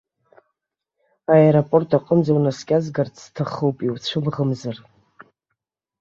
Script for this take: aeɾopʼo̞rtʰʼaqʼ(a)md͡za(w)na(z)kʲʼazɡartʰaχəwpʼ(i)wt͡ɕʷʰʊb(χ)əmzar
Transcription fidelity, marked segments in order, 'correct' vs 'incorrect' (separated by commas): incorrect, correct, incorrect, correct, incorrect